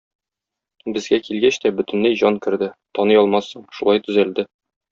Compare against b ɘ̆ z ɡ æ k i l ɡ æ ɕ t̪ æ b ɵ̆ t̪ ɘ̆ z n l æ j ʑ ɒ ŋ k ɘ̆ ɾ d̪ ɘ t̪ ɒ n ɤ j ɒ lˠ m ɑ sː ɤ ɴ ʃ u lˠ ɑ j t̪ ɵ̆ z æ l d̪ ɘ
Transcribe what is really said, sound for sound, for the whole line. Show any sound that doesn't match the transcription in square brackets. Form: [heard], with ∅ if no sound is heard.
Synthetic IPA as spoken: b ɘ̆ z ɡ æ k i l ɡ æ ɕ t̪ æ b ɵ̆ t̪ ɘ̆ [∅] n l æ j ʑ ɒ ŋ k ɘ̆ ɾ d̪ ɘ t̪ ɒ n ɤ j ɒ lˠ m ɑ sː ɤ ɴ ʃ u lˠ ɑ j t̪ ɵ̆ z æ l d̪ ɘ